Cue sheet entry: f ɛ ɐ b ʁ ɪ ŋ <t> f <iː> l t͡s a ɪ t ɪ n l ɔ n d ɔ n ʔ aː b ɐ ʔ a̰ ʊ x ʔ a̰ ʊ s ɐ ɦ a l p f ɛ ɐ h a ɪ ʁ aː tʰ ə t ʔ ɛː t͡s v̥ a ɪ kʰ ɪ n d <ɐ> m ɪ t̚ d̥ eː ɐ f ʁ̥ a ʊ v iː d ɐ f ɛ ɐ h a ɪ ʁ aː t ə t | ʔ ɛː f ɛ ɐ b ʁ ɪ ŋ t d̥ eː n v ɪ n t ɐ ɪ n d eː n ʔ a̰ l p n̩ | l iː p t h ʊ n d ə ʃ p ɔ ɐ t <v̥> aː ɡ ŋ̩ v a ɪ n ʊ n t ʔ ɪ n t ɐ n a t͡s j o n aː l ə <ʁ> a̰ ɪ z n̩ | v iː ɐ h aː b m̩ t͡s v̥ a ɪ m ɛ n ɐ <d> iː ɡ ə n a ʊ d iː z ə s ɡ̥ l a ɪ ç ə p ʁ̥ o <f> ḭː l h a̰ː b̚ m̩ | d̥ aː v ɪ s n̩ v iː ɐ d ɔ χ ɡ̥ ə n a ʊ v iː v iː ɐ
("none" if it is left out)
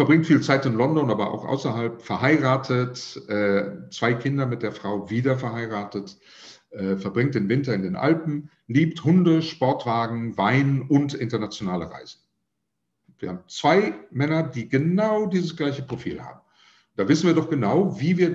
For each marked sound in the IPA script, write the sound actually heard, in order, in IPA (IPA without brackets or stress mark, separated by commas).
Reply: t, iː, ɐ, v̥, ʁ, d, f